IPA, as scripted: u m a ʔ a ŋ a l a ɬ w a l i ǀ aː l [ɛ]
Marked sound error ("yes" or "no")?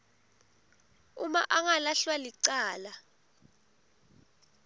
yes